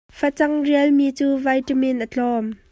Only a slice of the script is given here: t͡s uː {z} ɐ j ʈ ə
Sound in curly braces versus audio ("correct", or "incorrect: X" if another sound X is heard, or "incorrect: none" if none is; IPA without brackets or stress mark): incorrect: v